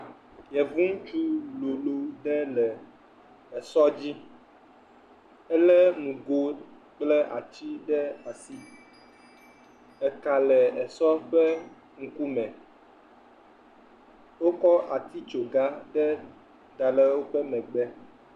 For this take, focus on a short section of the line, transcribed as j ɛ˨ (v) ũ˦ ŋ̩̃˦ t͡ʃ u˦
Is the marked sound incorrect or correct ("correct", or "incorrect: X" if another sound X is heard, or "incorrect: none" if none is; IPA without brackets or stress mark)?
correct